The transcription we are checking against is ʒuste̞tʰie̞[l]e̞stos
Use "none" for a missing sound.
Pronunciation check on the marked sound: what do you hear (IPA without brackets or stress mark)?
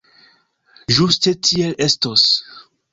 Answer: l